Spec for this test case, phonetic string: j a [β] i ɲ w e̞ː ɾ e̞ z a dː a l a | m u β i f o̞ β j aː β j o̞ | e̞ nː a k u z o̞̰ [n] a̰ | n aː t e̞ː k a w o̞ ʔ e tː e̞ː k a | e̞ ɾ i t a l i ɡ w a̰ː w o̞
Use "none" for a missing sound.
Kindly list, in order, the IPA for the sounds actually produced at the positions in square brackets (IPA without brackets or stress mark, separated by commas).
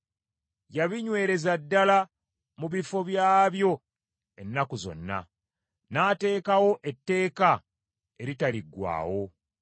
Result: β, nː